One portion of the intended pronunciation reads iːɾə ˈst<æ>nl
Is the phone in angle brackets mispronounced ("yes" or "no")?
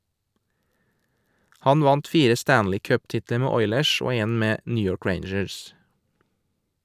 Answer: yes